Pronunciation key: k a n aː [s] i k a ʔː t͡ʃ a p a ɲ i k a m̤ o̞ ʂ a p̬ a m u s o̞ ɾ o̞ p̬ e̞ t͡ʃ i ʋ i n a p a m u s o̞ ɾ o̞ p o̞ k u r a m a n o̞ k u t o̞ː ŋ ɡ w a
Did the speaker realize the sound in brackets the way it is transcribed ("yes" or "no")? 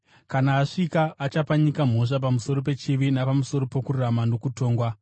no